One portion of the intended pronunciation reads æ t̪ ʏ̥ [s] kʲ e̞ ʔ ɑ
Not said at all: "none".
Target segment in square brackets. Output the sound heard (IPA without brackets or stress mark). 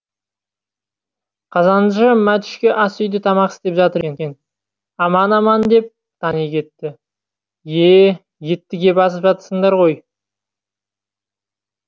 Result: ʃ